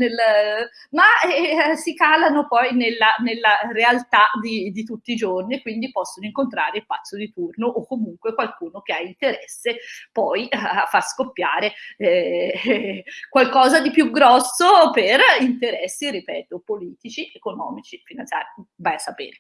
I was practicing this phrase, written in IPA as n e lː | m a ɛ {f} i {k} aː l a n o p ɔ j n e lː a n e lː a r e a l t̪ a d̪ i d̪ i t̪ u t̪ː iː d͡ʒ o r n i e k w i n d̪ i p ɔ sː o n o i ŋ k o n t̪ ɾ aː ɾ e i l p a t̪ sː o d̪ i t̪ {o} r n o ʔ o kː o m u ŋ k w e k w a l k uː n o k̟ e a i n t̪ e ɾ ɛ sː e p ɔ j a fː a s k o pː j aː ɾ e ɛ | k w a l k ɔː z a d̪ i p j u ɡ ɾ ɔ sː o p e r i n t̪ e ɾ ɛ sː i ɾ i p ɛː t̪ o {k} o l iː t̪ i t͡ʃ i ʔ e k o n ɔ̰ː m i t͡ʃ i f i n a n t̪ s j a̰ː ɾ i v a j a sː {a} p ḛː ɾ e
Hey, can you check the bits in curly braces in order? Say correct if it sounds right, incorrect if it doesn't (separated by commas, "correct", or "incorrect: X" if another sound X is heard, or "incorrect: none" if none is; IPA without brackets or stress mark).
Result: incorrect: s, correct, incorrect: u, incorrect: p, correct